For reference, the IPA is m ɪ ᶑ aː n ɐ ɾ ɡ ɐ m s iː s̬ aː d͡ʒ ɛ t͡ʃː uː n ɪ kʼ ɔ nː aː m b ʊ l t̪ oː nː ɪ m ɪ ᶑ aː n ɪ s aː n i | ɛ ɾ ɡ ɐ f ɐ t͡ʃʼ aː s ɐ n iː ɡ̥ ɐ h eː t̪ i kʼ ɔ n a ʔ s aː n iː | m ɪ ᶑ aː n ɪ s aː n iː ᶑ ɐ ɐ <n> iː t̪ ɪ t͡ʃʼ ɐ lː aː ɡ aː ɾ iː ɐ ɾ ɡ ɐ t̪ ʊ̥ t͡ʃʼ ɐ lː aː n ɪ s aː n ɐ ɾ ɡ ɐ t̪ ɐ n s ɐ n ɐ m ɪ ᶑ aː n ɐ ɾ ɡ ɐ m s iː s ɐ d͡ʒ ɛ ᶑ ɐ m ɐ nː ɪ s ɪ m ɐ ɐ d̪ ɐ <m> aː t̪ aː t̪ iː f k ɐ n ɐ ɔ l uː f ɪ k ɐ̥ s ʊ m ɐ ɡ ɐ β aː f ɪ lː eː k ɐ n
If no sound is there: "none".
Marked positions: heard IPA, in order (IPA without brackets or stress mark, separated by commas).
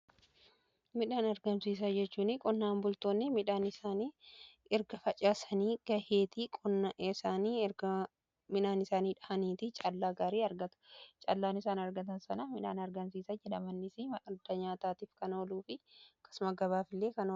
n, ɲ